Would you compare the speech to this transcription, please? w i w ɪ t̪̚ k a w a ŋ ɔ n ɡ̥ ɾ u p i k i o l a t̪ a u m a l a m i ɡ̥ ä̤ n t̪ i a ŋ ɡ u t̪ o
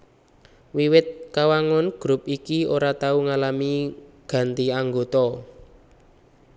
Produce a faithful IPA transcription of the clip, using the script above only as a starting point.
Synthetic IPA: w i w ɪ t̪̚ k a w a ŋ ɔ n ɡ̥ ɾ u p i k i o ɾ a t̪ a u ŋ a l a m i ɡ̥ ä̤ n t̪ i a ŋ ɡ o t̪ ɔ